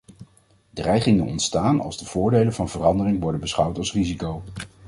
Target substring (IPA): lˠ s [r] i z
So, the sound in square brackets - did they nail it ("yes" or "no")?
yes